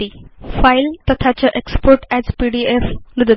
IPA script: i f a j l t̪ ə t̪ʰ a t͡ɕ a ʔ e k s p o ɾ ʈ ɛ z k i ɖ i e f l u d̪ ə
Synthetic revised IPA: i f a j l t̪ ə t̪ʰ a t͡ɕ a ʔ e k s p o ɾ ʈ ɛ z p i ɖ i e f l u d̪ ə